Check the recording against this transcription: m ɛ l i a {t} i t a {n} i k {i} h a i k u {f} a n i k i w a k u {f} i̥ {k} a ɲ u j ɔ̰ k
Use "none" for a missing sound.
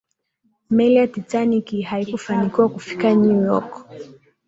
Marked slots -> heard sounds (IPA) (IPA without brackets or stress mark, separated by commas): t, n, i, f, f, k